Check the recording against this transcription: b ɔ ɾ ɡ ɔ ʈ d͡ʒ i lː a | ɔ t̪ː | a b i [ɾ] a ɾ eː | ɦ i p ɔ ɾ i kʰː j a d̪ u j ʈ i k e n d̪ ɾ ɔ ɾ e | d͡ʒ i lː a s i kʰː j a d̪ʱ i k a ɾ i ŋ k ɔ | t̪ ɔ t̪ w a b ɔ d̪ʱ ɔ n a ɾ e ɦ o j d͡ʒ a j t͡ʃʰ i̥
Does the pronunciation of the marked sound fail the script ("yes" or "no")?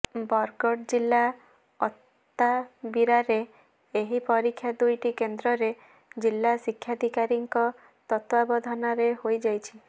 no